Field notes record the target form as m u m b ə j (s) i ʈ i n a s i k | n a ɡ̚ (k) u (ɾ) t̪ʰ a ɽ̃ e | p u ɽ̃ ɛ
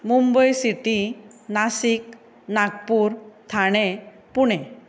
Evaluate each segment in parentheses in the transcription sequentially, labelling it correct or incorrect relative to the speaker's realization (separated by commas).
correct, incorrect, correct